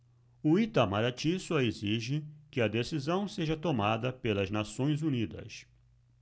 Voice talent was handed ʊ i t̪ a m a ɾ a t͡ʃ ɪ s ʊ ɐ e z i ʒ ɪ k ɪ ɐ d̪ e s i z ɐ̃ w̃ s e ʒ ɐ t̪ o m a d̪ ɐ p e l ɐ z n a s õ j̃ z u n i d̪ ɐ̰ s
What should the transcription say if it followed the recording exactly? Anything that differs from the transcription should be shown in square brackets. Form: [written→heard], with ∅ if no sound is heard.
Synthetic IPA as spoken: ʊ i t̪ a m a ɾ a t͡ʃ [ɪ→i] s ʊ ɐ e z i ʒ ɪ k ɪ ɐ d̪ e s i z ɐ̃ w̃ s e ʒ ɐ t̪ o m a d̪ ɐ p e l ɐ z n a s õ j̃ z u n i d̪ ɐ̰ s